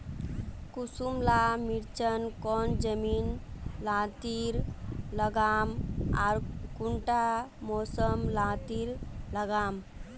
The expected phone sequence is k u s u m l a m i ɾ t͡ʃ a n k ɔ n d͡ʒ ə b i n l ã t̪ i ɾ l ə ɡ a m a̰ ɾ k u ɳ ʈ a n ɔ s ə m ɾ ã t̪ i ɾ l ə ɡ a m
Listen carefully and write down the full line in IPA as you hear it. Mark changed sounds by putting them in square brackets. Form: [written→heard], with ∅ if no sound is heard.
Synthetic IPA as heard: k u s u m l a m i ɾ t͡ʃ [a→ə] n k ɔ n d͡ʒ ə [b→m] i n l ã t̪ i ɾ l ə ɡ a m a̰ ɾ k u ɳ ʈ a [n→m] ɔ s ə m [ɾ→l] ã t̪ i ɾ l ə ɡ a m

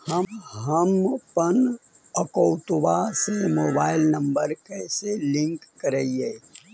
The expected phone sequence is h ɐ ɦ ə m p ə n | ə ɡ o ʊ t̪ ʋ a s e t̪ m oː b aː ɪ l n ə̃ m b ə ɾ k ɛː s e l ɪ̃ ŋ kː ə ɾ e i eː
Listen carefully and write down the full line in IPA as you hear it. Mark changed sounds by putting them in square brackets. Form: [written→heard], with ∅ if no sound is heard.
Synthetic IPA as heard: h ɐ ɦ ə m p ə n | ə [ɡ→k] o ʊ t̪ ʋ a s e [t̪→∅] m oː b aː ɪ l n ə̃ m b ə ɾ k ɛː s e l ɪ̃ ŋ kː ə ɾ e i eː

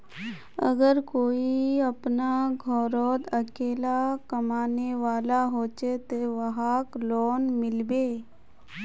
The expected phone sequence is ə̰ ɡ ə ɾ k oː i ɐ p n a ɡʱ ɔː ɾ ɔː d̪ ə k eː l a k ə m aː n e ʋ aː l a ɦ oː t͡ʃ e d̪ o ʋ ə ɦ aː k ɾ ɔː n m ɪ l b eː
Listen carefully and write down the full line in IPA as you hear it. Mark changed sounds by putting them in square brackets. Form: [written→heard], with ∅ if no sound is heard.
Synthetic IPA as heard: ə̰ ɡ ə ɾ k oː i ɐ p n a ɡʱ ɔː ɾ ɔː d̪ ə k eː l a k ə m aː n e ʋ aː l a ɦ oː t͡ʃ e [d̪→t̪] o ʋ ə ɦ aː k [ɾ→l] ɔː n m ɪ l b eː

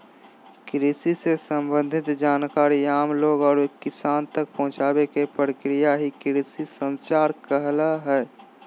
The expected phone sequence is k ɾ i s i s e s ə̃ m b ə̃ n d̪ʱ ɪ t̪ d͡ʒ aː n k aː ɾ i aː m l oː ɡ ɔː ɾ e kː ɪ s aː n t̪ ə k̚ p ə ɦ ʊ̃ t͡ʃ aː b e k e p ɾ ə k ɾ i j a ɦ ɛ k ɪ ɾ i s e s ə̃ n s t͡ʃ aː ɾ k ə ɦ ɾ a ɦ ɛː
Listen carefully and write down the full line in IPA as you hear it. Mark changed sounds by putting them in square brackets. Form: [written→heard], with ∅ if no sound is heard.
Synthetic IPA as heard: k ɾ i s i s e s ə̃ m b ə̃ n d̪ʱ ɪ t̪ d͡ʒ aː n k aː ɾ i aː m l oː ɡ ɔː ɾ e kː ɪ s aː n t̪ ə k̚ p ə ɦ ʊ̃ t͡ʃ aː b e k e p ɾ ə k ɾ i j a ɦ [ɛ→i] k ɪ ɾ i s [e→i] s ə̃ n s t͡ʃ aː ɾ k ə ɦ [ɾ→l] a ɦ ɛː

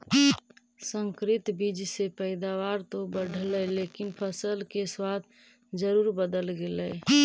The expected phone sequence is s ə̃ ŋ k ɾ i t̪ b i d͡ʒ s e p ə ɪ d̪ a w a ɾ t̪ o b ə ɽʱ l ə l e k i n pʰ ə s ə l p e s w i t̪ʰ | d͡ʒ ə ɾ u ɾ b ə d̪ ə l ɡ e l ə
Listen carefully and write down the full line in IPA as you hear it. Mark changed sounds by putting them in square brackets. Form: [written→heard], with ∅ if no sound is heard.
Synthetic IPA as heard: s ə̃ ŋ k ɾ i t̪ b i d͡ʒ s e p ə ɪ d̪ a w a ɾ t̪ o b ə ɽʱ l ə l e k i n pʰ ə s ə l [p→k] e s w [i→a] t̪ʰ | d͡ʒ ə ɾ u ɾ b ə d̪ ə l ɡ e l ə

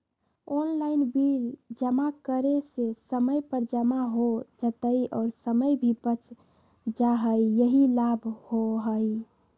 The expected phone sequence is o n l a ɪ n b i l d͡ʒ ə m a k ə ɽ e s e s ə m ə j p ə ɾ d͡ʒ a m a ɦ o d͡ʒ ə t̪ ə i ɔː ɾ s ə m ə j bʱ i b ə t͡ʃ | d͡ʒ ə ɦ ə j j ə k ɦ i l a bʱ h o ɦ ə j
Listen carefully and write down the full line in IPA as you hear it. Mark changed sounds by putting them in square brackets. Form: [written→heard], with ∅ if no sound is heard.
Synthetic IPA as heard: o n l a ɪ n b i l d͡ʒ ə m a k ə [ɽ→ɾ] e s e s ə m ə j p ə ɾ d͡ʒ [a→ə] m a ɦ o d͡ʒ ə t̪ ə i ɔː ɾ s ə m ə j bʱ i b ə t͡ʃ | d͡ʒ [ə→a] ɦ ə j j ə [k→∅] ɦ i l a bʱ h o ɦ ə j

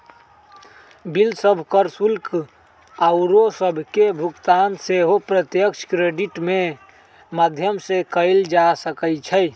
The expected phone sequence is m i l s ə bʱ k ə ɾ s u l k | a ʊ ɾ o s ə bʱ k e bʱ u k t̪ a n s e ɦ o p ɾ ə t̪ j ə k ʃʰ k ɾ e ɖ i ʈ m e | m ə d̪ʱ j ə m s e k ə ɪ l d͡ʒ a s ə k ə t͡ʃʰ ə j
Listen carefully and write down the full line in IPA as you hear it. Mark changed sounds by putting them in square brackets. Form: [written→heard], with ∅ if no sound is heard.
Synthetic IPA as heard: [m→b] i l s ə bʱ k ə ɾ s u l k | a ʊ ɾ o s ə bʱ k e bʱ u k t̪ a n s e ɦ o p ɾ ə t̪ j ə k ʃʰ k ɾ e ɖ i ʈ m e | m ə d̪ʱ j ə m s e k ə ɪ l d͡ʒ a s ə k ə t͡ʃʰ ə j

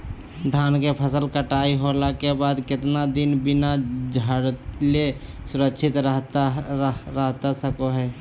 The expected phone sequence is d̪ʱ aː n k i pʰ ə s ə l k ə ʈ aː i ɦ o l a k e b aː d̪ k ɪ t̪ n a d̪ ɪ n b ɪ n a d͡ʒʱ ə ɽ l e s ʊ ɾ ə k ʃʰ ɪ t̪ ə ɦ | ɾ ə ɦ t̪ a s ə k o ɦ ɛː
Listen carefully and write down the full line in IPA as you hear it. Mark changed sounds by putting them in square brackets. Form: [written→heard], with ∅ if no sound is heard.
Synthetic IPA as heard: d̪ʱ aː n k [i→e] pʰ ə s ə l k ə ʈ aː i ɦ o l a k e b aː d̪ k ɪ t̪ n a d̪ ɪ n b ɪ n a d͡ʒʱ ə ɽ l e s ʊ ɾ ə k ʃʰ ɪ t̪ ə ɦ | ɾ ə ɦ t̪ a s ə k o ɦ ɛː

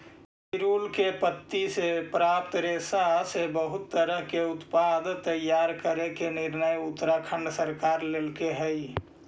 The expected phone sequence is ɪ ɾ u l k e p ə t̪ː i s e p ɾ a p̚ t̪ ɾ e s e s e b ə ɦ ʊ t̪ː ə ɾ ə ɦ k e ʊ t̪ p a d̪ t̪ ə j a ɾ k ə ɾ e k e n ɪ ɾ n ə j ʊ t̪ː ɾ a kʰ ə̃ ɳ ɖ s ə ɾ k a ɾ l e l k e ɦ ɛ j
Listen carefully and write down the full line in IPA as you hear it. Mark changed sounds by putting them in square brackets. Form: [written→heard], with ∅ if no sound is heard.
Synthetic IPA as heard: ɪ ɾ u l k e p ə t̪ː i s e p ɾ a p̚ t̪ ɾ e s [e→a] s e b ə ɦ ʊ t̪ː ə ɾ ə ɦ k e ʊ t̪ p a d̪ t̪ ə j a ɾ k ə ɾ e k e n ɪ ɾ n ə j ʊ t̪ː ɾ a kʰ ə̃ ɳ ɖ s ə ɾ k a ɾ l e l k e ɦ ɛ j

